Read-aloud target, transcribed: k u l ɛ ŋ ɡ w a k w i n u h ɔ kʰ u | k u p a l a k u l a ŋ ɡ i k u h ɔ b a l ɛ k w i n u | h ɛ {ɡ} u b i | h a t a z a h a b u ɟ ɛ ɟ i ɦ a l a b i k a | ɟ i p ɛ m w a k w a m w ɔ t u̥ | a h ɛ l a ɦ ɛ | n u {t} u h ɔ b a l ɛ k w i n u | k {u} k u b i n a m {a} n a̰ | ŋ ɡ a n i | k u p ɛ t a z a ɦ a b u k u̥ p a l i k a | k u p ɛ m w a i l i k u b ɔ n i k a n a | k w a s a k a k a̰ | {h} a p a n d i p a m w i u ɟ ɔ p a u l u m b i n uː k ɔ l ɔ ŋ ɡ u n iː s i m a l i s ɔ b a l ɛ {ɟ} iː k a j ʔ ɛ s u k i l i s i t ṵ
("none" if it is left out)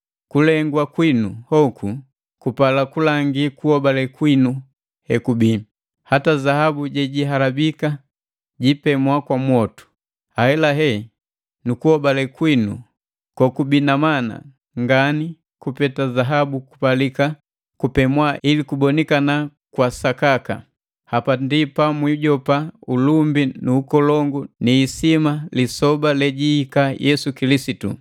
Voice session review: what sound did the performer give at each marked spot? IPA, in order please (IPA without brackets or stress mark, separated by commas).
k, k, ɔ, a, h, ɟ